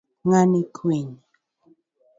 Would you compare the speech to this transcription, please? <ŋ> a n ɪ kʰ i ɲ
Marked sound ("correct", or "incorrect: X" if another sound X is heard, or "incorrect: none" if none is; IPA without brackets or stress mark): correct